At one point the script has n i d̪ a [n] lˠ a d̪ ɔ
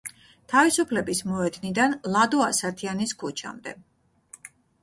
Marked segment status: correct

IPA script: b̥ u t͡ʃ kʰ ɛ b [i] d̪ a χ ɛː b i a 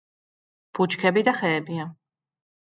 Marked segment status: correct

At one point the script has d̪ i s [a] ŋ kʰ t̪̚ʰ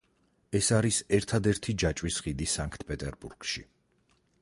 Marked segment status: correct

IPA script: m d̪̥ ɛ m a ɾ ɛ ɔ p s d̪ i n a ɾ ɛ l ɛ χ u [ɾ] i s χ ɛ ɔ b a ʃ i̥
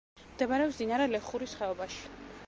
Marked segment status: correct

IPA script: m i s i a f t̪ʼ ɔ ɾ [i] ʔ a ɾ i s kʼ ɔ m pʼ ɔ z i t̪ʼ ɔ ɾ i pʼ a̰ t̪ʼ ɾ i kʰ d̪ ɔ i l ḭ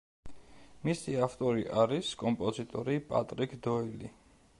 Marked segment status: correct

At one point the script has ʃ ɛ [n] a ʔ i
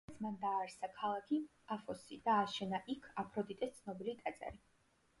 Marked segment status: correct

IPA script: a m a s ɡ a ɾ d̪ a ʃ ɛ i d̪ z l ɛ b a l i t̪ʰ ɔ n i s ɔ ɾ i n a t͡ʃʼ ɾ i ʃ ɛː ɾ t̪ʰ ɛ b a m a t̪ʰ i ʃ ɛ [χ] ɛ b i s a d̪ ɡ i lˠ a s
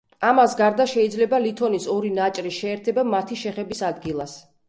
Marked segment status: correct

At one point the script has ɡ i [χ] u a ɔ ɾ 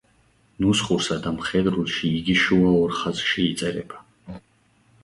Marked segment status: incorrect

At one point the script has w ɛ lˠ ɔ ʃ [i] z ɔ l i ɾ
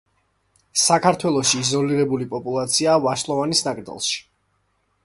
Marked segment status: incorrect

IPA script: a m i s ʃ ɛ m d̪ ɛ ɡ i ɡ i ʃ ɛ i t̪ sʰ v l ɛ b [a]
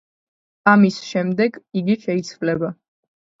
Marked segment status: correct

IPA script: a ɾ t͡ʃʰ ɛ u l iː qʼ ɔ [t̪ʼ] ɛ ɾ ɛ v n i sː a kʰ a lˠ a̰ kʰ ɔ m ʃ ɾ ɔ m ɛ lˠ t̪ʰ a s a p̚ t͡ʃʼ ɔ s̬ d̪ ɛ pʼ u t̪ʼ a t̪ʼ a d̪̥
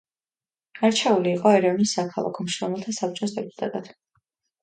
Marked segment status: incorrect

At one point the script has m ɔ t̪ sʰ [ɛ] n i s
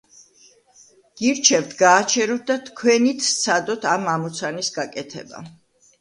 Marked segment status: incorrect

